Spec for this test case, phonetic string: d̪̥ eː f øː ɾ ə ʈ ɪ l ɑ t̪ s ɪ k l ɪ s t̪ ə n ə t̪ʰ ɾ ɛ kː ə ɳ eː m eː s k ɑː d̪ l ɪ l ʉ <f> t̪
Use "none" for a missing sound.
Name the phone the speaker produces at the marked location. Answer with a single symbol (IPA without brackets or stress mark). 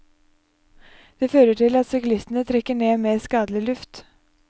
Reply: f